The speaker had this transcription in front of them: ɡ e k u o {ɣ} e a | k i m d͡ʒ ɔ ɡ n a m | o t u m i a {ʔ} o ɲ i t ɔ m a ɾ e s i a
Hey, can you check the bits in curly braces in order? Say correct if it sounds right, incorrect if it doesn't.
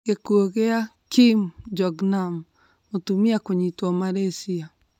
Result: correct, incorrect: k

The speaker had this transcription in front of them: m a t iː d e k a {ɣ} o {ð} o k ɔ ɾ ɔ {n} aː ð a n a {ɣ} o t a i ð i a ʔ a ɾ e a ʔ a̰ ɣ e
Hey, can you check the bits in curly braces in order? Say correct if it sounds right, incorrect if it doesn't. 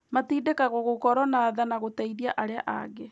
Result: correct, incorrect: ɣ, correct, correct

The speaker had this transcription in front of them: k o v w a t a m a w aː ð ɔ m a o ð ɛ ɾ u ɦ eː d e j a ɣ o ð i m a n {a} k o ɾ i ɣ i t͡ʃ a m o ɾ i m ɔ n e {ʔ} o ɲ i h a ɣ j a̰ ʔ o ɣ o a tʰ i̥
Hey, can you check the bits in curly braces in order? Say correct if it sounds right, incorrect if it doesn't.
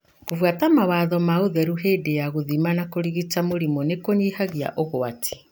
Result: correct, incorrect: k

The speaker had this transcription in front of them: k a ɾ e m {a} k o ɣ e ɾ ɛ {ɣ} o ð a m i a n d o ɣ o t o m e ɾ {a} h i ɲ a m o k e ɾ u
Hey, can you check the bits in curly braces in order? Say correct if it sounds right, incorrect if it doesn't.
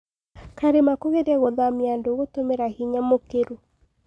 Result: correct, correct, correct

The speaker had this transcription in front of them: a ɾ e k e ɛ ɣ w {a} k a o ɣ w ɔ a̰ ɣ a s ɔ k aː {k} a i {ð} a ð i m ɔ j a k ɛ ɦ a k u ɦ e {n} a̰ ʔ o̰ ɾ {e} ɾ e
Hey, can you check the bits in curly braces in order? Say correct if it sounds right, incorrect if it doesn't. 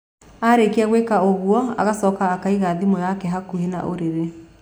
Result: incorrect: e, correct, incorrect: ɣ, correct, correct

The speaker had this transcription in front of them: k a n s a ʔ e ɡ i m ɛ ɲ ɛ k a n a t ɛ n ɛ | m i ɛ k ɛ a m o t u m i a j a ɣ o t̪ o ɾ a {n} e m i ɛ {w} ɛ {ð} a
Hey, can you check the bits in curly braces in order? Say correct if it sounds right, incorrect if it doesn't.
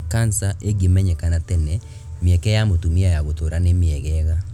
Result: correct, incorrect: ɣ, incorrect: ɣ

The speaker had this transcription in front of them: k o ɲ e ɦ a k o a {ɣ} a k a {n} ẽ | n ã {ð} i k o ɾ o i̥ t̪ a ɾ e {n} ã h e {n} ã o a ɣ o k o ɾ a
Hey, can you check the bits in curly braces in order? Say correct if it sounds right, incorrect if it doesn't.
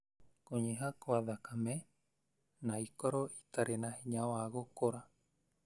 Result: incorrect: ð, incorrect: m, incorrect: none, correct, incorrect: ɲ

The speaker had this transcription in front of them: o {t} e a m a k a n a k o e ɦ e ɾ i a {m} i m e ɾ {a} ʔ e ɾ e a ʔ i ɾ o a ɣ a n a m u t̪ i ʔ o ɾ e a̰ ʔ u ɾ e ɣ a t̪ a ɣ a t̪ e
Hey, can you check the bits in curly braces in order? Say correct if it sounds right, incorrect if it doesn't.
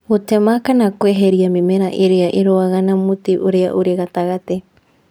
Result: correct, correct, correct

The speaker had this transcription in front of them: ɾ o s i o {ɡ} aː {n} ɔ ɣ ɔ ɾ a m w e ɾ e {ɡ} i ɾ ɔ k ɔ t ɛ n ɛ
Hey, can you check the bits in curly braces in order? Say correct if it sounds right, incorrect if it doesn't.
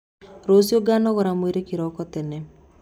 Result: correct, correct, incorrect: k

